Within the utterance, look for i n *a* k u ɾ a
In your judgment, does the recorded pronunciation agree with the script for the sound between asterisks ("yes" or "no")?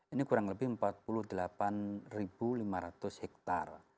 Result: no